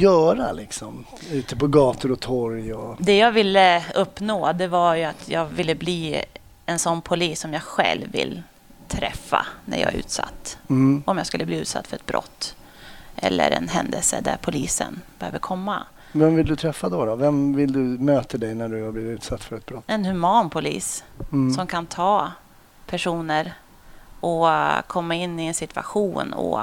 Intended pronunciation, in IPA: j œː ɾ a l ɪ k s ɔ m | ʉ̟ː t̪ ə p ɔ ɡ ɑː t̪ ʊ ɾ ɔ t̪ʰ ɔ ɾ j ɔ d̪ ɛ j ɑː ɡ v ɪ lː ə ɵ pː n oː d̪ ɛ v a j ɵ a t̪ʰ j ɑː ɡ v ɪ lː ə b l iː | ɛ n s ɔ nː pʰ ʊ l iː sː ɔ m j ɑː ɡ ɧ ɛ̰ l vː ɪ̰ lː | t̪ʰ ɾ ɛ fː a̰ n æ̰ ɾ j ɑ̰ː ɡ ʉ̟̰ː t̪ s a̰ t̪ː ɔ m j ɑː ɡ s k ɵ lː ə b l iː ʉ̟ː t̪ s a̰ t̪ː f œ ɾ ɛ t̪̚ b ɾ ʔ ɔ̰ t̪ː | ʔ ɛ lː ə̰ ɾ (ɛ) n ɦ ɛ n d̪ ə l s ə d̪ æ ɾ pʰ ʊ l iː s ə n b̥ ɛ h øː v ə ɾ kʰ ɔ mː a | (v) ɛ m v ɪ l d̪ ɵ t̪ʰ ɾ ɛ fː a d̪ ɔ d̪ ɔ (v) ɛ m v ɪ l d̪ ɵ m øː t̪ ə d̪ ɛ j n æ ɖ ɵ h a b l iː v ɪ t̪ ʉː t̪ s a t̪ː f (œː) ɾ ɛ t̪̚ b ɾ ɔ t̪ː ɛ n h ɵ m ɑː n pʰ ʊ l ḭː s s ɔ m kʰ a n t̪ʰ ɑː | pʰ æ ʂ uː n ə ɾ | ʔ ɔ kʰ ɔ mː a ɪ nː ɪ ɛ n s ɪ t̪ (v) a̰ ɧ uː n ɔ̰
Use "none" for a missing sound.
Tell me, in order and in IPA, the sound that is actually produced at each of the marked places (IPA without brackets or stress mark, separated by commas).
ɛ, v, v, œ, v